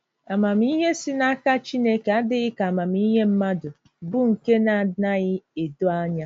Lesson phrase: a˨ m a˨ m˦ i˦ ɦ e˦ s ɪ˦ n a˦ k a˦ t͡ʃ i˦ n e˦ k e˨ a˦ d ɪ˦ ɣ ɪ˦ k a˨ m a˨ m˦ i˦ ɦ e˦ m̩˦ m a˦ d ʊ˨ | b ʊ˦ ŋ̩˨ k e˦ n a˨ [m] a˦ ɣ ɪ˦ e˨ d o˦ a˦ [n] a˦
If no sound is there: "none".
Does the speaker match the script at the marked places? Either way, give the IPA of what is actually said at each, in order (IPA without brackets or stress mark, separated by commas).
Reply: n, ɲ